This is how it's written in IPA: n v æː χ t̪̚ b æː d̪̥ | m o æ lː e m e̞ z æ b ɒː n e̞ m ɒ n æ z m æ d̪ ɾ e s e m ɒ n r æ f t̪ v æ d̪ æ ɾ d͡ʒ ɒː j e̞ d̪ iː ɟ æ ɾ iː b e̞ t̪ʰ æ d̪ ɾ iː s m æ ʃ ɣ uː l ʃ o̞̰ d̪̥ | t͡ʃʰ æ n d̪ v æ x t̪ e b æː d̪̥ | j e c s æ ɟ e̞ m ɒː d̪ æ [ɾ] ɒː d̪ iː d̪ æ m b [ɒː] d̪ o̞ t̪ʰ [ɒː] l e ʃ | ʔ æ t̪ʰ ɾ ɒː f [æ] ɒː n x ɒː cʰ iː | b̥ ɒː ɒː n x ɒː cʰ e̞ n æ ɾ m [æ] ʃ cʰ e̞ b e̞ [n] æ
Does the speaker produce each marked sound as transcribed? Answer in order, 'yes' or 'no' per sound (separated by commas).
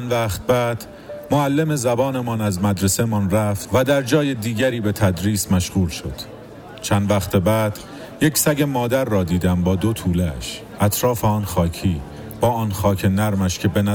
no, yes, no, no, yes, yes